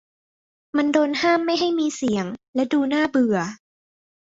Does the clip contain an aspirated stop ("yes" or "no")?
no